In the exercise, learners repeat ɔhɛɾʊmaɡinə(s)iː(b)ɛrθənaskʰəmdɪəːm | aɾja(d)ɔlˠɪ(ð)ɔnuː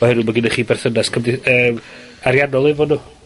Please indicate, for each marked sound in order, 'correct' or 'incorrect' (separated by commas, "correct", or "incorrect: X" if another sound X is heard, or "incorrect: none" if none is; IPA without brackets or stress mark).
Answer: incorrect: χ, correct, incorrect: n, incorrect: v